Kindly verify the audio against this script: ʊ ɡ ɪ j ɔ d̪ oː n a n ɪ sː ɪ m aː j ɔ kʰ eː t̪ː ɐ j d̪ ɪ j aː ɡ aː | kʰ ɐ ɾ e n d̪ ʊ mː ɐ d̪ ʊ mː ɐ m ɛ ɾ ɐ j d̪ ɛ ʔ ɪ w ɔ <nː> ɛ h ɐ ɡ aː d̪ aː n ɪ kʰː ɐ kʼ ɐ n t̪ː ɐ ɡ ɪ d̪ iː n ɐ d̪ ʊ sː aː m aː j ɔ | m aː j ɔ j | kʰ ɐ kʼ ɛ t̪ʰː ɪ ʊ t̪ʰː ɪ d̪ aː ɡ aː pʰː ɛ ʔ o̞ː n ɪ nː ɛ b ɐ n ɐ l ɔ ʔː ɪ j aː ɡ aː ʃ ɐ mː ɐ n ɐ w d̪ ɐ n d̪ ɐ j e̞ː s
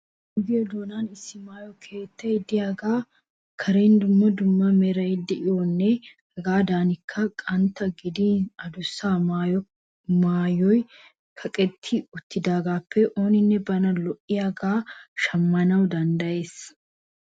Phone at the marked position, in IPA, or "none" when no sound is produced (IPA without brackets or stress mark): nː